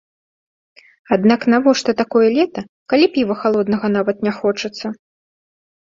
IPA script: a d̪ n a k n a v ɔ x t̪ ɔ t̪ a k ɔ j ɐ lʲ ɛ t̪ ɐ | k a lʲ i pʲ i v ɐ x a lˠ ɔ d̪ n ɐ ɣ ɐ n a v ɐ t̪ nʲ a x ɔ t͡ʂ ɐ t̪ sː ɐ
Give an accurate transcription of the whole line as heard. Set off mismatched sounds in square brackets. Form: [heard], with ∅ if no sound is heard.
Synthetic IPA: a d̪ n a k n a v ɔ [ʂ] t̪ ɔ t̪ a k ɔ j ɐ lʲ ɛ t̪ ɐ | k a lʲ i pʲ i v ɐ x a lˠ ɔ d̪ n ɐ ɣ ɐ n a v ɐ t̪ nʲ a x ɔ t͡ʂ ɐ t̪ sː ɐ